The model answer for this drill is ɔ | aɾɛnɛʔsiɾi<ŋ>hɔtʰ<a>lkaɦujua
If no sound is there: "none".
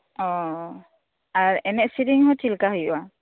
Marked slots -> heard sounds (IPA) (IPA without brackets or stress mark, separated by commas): ŋ, i